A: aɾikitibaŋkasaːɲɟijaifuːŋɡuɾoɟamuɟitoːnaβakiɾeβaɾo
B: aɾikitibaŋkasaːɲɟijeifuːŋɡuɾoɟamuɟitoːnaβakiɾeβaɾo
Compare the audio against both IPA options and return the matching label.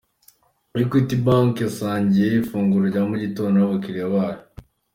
B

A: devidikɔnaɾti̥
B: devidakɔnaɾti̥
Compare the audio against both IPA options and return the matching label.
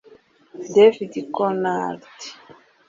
A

